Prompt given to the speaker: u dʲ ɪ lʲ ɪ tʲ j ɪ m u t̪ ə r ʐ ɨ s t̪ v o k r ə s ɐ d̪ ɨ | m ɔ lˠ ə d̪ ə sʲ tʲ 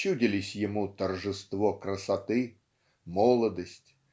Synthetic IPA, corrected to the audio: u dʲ ɪ lʲ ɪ sʲ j ɪ m u t̪ ə r ʐ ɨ s t̪ v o k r ə s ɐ t̪ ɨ | m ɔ lˠ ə d̪ ə sʲ tʲ